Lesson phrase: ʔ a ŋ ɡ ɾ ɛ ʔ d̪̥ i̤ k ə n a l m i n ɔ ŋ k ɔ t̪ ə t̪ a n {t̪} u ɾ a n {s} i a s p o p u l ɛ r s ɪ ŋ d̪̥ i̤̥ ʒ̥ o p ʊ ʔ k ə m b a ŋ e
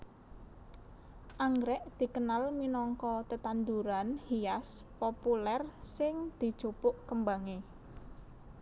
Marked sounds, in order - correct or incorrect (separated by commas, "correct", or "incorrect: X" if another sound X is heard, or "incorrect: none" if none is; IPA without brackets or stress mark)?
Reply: incorrect: d̪, incorrect: h